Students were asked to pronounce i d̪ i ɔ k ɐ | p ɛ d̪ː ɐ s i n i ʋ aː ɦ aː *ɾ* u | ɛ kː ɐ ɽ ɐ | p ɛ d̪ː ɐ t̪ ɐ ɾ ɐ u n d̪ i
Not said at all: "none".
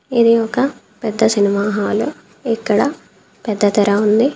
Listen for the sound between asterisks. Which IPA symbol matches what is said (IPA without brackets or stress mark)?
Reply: l